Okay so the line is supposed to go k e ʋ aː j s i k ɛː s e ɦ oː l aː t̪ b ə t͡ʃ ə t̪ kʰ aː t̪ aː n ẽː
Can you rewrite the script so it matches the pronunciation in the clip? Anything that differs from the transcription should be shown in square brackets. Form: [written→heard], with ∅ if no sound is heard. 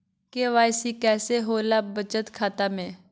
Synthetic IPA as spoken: k e ʋ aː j s i k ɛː s e ɦ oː l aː [t̪→∅] b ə t͡ʃ ə t̪ kʰ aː t̪ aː [n→m] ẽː